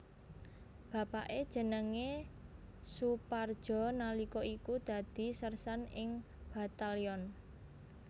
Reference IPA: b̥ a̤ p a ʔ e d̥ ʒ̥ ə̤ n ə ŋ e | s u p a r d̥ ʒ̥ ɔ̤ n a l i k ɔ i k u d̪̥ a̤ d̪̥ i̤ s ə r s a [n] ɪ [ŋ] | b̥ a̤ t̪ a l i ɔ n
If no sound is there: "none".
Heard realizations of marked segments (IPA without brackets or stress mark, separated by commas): n, ŋ